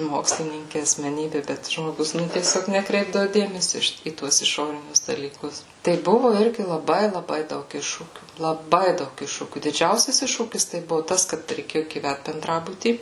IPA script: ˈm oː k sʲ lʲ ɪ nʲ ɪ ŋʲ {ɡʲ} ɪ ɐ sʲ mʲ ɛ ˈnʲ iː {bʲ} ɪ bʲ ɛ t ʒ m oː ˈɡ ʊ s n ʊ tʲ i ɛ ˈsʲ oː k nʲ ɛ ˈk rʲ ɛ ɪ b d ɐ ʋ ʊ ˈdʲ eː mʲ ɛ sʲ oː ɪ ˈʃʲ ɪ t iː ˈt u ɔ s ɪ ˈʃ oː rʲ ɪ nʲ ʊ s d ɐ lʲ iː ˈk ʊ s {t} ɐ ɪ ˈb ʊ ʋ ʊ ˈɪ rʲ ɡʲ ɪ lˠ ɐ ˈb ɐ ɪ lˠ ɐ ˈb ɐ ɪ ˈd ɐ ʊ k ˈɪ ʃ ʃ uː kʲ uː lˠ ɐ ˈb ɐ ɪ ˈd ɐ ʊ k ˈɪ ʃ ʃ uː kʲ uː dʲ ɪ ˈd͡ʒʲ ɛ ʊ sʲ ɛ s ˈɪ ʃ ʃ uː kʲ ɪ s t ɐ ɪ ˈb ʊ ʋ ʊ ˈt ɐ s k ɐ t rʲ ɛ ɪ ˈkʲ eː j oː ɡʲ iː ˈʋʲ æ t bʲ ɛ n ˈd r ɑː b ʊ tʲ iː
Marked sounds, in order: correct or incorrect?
incorrect, correct, correct

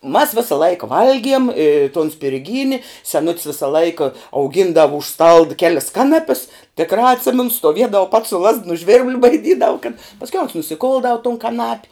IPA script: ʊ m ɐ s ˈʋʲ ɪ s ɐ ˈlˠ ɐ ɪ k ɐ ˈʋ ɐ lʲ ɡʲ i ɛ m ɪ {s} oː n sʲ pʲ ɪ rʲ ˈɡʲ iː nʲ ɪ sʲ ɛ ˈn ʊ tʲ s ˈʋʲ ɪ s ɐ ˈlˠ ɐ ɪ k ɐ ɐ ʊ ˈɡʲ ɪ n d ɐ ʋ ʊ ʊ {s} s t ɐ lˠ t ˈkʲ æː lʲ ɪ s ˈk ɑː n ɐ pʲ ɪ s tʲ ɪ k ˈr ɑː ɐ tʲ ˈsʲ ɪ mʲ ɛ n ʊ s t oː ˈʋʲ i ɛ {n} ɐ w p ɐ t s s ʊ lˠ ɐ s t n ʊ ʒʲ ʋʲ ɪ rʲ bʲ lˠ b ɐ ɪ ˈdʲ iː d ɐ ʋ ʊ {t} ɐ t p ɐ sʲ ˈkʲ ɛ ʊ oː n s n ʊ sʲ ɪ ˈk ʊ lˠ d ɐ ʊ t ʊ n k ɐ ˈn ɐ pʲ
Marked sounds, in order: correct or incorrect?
incorrect, incorrect, incorrect, incorrect

